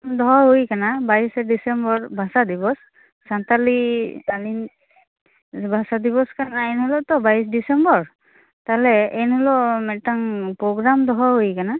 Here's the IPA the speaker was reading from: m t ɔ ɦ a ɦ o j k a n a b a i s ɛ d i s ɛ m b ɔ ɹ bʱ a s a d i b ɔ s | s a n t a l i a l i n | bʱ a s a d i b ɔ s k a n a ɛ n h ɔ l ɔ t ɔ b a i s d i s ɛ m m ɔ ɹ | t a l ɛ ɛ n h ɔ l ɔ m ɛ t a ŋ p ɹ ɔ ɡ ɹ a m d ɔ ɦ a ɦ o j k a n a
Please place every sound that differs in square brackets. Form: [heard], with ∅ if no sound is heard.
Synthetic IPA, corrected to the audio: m [d] ɔ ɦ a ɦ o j k a n a b a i s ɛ d i s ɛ m b ɔ ɹ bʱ a s a d i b ɔ s | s a n t a l i a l i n | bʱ a s a d i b ɔ s k a n a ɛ n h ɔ l ɔ t ɔ b a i s d i s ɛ m [b] ɔ ɹ | t a l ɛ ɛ n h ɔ l ɔ m ɛ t a ŋ p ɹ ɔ ɡ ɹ a m d ɔ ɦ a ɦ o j k a n a